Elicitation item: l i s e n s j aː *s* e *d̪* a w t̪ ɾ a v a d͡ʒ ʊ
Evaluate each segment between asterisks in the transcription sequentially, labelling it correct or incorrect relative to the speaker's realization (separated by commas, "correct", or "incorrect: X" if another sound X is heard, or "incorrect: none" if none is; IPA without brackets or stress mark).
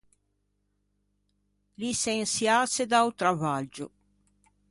correct, correct